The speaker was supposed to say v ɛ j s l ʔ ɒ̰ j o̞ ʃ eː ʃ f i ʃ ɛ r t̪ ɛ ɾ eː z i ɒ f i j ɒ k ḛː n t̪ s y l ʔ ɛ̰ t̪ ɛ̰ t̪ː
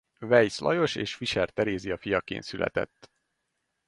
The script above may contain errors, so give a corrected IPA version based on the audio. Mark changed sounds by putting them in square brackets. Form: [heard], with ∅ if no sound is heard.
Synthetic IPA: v ɛ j s l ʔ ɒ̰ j o̞ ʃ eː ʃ f i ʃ ɛ r t̪ ɛ ɾ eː z i ɒ f i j ɒ k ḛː n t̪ s y l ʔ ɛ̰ t̪ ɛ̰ t̪ː